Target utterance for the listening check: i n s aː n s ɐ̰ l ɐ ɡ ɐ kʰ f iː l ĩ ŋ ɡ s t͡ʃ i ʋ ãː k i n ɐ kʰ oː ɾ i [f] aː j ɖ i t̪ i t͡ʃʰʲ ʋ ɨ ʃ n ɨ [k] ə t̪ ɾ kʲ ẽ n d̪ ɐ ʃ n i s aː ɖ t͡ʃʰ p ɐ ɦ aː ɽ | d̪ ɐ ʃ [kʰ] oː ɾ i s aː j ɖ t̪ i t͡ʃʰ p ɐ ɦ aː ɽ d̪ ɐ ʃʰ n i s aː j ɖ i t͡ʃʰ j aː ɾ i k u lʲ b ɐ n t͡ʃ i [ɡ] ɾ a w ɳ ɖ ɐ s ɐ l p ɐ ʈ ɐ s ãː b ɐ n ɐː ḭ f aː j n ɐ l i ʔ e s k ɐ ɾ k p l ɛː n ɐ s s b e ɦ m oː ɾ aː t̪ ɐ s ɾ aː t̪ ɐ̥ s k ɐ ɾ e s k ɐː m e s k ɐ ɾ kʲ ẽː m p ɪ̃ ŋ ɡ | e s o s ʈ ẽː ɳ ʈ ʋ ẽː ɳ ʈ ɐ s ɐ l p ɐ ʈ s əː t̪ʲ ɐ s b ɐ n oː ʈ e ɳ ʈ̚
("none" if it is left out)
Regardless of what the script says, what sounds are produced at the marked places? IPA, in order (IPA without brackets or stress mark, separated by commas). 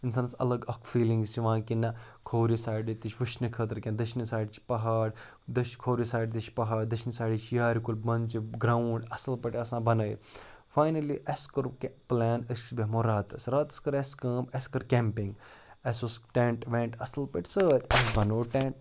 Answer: s, kʰ, kʰ, ɡ